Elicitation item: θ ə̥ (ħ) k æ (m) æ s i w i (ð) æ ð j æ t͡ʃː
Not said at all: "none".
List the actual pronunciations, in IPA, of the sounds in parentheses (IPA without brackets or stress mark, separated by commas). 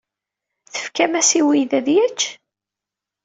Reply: f, m, ð